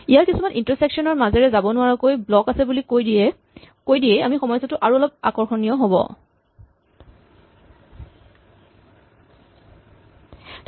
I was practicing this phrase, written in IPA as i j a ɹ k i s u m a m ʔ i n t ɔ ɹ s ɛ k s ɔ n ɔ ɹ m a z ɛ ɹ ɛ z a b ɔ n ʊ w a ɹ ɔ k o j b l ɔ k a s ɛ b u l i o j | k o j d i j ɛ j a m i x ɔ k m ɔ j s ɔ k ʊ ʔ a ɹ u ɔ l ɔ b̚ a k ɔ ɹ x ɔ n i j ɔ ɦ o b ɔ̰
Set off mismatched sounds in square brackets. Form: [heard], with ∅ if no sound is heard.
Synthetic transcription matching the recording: i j a ɹ k i s u m a [n] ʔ i n t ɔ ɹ s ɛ k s ɔ n ɔ ɹ m a z ɛ ɹ ɛ z a b ɔ n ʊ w a ɹ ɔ k o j b l ɔ k a s ɛ b u l i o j | k o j d i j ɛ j a m i x ɔ [∅] m ɔ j s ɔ [t] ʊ ʔ a ɹ u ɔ l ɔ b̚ a k ɔ ɹ x ɔ n i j ɔ ɦ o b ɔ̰